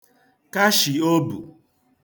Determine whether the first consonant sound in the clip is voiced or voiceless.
voiceless